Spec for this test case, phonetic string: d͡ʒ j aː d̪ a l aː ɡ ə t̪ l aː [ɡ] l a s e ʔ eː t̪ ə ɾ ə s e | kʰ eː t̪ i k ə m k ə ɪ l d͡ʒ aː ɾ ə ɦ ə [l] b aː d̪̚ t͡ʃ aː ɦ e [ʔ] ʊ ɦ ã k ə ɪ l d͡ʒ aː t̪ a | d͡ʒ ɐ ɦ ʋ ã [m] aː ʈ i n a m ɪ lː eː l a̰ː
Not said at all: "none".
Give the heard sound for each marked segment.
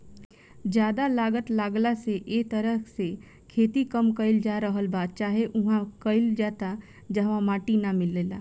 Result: ɡ, l, ʔ, m

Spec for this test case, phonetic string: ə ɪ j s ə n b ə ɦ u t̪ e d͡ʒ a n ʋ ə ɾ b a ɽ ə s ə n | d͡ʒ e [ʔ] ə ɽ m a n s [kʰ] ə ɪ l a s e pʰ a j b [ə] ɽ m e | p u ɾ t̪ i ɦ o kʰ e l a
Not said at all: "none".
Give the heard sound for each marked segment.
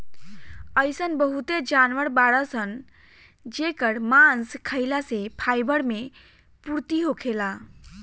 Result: k, kʰ, ə

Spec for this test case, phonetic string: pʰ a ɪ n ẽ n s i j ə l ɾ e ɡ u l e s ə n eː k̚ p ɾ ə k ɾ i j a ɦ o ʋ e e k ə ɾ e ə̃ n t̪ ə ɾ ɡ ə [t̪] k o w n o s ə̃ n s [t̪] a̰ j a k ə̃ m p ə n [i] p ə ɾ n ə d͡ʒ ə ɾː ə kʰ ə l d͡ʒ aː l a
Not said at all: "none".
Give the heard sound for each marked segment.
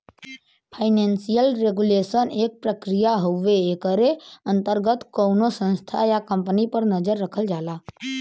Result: t̪, t̪ʰ, i

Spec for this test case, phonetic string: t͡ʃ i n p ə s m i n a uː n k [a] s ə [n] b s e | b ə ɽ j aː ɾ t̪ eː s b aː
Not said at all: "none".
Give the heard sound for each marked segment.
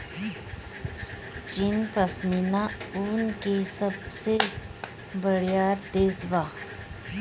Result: e, none

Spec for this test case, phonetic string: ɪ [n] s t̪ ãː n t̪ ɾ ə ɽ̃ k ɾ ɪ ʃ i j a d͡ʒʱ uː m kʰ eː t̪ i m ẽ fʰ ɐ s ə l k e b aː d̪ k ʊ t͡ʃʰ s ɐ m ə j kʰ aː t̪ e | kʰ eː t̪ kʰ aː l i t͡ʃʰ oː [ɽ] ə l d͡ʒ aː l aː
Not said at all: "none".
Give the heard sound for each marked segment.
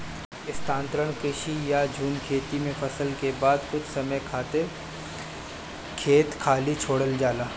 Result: none, ɽ

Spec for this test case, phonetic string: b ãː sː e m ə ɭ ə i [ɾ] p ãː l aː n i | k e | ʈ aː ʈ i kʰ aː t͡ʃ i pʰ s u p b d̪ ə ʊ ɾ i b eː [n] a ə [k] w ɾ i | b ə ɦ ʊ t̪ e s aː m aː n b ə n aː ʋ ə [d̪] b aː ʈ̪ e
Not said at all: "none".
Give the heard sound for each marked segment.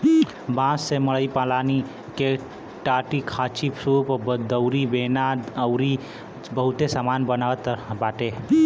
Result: none, n, none, t̪

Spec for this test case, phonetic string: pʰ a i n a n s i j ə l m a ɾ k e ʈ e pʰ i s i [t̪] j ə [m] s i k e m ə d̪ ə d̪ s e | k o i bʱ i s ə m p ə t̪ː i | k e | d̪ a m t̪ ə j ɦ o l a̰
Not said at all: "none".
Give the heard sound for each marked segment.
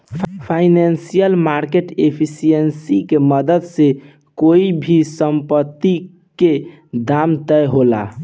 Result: none, n

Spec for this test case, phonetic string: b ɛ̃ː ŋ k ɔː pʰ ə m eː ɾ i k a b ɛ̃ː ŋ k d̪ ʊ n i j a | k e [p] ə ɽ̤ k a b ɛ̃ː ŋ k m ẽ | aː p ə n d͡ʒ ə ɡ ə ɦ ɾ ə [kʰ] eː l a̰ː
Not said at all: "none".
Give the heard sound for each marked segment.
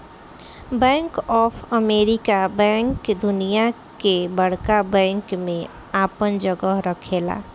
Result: b, kʰ

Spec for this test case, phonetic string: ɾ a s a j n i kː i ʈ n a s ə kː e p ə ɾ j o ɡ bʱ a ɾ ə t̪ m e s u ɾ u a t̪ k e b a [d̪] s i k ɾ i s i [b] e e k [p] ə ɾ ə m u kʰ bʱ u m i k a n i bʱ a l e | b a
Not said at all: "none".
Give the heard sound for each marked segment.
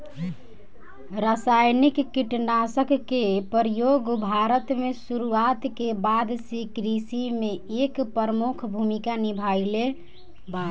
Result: d̪, m, p

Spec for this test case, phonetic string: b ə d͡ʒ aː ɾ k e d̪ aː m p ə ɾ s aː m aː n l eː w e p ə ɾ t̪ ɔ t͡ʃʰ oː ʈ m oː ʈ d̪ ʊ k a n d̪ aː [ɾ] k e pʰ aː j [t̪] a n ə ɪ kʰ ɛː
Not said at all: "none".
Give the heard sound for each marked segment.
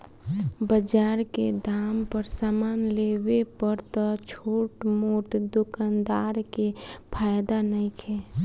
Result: ɾ, d̪

